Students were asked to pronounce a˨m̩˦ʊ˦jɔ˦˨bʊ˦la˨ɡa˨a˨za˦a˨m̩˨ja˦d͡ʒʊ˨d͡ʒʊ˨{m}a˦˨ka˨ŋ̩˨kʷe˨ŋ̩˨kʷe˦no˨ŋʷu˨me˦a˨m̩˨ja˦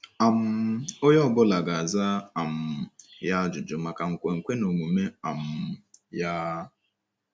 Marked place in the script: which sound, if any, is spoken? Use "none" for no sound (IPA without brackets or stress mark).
m